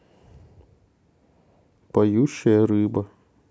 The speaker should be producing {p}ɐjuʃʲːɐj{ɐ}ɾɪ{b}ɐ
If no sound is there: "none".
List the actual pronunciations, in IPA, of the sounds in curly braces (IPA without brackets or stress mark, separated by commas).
p, ɐ, b